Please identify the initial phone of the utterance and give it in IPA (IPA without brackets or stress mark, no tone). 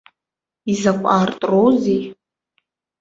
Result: i